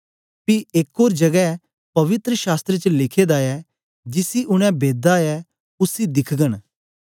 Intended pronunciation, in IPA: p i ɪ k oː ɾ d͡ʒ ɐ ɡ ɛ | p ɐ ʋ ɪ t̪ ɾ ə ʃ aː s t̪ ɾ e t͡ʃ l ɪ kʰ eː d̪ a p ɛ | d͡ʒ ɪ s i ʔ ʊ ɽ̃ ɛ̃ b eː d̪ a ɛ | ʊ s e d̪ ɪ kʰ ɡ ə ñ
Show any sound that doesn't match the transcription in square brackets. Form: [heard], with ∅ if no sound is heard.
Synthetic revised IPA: p i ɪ k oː ɾ d͡ʒ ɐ ɡ ɛ | p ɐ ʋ ɪ t̪ ɾ ə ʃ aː s t̪ ɾ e t͡ʃ l ɪ kʰ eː d̪ a [∅] ɛ | d͡ʒ ɪ s i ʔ ʊ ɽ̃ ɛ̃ b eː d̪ a ɛ | ʊ s [i] d̪ ɪ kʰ ɡ ə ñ